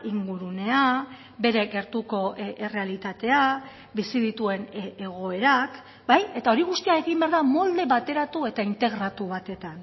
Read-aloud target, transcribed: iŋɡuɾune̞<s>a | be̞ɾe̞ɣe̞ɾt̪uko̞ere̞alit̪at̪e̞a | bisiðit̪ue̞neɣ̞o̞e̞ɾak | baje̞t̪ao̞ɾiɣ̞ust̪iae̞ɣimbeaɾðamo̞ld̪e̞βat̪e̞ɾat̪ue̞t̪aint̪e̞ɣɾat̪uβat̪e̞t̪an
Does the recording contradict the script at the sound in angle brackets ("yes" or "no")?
yes